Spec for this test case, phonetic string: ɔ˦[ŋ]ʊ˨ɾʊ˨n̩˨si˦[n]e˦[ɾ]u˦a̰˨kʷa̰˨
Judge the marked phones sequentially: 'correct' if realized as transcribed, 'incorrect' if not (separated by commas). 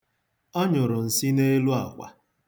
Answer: incorrect, correct, incorrect